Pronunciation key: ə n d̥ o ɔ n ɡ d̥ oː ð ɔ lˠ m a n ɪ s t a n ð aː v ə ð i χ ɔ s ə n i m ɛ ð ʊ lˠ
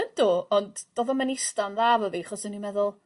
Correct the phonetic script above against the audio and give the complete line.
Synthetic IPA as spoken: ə n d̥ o ɔ n d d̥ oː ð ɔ m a n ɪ s t a n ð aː v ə v i χ ɔ s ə n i m ɛ ð ʊ lˠ